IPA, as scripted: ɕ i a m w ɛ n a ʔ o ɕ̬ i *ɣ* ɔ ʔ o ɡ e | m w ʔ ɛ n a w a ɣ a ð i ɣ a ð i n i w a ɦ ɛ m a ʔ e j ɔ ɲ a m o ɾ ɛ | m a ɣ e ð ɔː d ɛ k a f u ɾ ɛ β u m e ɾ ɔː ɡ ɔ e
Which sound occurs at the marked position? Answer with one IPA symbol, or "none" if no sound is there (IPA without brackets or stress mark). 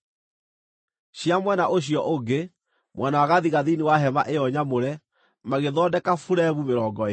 none